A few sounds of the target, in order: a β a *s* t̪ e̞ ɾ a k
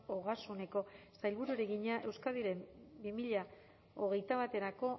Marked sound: incorrect: none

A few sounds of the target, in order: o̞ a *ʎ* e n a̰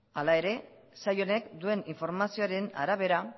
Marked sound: incorrect: ɾ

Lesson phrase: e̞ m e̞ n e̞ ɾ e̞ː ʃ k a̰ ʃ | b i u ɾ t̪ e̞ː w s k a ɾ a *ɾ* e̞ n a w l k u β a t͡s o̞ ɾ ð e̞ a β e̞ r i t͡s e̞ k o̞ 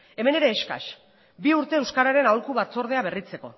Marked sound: correct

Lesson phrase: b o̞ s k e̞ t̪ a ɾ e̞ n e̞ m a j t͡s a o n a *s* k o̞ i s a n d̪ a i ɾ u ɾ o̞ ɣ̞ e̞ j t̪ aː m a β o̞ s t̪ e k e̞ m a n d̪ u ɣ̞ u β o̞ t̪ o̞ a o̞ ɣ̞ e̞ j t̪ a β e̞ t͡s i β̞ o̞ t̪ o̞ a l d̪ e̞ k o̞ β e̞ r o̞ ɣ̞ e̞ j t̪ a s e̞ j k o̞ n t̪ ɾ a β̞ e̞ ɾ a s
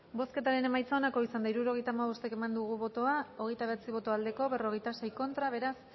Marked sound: incorrect: none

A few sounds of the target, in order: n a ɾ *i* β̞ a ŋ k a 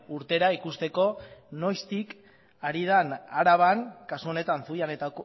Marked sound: incorrect: a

